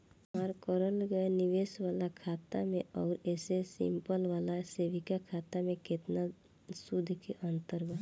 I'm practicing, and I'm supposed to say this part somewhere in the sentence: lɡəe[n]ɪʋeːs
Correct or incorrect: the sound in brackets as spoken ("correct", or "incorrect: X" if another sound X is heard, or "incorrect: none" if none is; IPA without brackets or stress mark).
correct